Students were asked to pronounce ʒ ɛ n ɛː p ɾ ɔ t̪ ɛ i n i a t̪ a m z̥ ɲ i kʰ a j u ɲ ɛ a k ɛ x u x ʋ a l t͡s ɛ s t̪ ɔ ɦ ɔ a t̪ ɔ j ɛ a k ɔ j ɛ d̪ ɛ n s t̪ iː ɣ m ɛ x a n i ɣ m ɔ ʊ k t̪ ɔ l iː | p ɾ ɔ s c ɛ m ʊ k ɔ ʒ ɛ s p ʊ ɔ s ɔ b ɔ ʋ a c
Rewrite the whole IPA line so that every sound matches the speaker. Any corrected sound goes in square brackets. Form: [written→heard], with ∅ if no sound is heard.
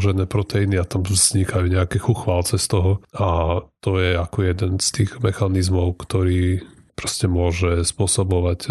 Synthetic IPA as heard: ʒ ɛ n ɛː p ɾ ɔ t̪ ɛ i n i a t̪ a m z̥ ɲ i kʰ a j u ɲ ɛ a k ɛ x u x ʋ a l t͡s ɛ s t̪ ɔ ɦ ɔ a t̪ ɔ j ɛ a k ɔ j ɛ d̪ ɛ n s t̪ iː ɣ m ɛ x a n i [ɣ→z] m ɔ ʊ k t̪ ɔ [l→ɾ] iː | p ɾ ɔ s c ɛ m ʊ [k→∅] ɔ ʒ ɛ s p ʊ ɔ s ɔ b ɔ ʋ a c